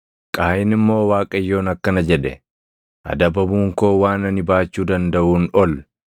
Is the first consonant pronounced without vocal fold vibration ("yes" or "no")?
yes